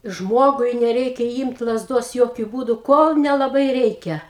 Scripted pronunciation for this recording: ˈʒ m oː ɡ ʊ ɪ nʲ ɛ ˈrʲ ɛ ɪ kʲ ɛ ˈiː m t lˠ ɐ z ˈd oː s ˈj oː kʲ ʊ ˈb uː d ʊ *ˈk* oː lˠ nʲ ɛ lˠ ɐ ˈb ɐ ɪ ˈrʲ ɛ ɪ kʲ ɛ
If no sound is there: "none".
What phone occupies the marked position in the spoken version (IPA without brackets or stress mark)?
k